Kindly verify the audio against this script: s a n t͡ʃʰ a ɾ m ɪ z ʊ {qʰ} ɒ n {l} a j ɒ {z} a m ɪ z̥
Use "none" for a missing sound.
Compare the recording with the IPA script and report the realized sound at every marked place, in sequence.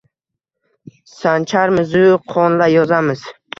qʰ, l, z

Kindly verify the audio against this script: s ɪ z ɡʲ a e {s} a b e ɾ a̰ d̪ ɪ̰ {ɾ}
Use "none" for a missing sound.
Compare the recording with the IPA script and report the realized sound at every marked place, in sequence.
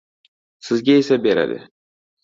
s, none

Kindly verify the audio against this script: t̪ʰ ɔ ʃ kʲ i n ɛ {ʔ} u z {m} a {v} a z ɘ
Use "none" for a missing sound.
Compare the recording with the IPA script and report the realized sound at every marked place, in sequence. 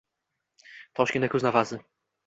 k, n, v

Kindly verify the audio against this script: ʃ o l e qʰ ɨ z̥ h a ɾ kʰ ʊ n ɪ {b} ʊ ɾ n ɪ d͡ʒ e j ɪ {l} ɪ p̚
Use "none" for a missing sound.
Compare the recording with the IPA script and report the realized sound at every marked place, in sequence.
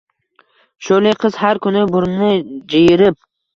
b, ɾ

